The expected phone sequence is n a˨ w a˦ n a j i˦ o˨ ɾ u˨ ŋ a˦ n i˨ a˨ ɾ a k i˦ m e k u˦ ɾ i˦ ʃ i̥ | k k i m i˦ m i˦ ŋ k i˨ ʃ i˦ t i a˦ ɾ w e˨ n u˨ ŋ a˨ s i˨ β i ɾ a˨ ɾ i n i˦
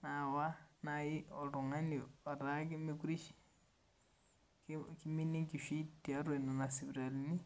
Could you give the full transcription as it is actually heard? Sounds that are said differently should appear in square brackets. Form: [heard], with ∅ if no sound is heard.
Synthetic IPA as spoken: n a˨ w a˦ n a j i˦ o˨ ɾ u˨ ŋ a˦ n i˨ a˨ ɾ a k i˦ m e k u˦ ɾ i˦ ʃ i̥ | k k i m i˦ [n] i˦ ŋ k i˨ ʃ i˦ t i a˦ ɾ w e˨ n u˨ [n] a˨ s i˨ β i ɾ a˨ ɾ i n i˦